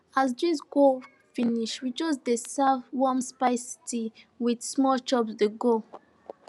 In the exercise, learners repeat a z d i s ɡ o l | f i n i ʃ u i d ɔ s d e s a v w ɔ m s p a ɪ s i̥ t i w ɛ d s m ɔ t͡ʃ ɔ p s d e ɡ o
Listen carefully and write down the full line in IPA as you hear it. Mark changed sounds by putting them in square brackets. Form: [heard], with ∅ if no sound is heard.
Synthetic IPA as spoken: a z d i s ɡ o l | f i n i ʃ [w] i [d͡ʒ] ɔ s d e s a v w ɔ m s p a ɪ s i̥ t i w [i] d s m ɔ t͡ʃ ɔ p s d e ɡ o